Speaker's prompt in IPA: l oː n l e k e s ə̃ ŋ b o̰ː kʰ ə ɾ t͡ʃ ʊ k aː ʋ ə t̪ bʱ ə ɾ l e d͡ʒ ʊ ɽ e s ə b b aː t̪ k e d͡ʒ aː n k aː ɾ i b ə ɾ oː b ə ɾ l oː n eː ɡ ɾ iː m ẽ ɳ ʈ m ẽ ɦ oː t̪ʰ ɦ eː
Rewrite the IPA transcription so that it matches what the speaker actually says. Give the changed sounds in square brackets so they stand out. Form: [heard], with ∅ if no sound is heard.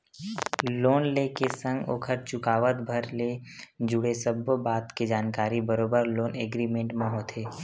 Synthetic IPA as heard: l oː n l e k e s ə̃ ŋ [ɡ] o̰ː kʰ ə ɾ t͡ʃ ʊ k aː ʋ ə t̪ bʱ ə ɾ l e d͡ʒ ʊ ɽ e s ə b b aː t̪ k e d͡ʒ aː n k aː ɾ i b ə ɾ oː b ə ɾ l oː n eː ɡ ɾ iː m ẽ ɳ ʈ m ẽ ɦ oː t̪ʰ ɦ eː